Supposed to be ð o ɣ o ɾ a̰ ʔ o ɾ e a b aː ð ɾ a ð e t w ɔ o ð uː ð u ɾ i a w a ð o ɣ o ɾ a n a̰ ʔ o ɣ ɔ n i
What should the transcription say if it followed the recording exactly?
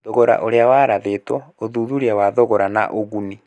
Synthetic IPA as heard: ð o ɣ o ɾ a̰ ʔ o ɾ e a w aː ɾ a ð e t w ɔ o ð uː ð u ɾ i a w a ð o ɣ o ɾ a n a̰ ʔ o ɣ u n i